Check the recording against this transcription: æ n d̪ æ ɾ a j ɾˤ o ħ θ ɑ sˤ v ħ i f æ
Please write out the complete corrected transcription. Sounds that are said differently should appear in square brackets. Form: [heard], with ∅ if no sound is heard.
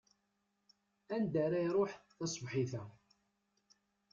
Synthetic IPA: æ n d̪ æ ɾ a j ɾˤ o ħ θ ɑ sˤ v ħ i [θ] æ